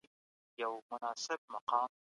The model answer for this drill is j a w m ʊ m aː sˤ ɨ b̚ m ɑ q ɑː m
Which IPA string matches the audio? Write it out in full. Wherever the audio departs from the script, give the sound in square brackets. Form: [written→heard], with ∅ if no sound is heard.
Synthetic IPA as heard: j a w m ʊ [m→n] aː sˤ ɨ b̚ m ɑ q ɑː m